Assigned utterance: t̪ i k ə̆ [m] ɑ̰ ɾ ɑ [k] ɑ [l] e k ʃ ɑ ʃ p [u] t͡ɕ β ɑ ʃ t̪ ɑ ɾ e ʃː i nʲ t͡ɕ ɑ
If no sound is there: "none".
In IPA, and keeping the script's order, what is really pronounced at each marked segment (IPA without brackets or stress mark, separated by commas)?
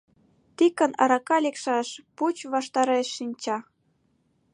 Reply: n, k, l, u